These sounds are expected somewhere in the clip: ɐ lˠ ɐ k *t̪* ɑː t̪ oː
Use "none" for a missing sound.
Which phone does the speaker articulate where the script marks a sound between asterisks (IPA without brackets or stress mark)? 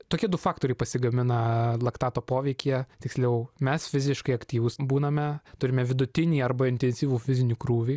t̪